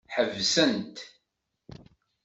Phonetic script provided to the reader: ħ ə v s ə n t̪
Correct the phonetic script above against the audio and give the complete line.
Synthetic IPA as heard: ħ ə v s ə n t̪